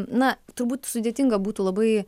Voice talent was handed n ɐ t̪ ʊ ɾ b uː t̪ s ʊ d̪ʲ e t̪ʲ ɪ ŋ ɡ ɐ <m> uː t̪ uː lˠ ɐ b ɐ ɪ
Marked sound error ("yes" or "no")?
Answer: yes